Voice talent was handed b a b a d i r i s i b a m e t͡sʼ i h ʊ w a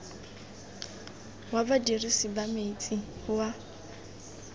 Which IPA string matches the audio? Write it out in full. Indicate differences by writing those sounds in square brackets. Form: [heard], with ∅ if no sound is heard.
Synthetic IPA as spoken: [w] a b a d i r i s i b a m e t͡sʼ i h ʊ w a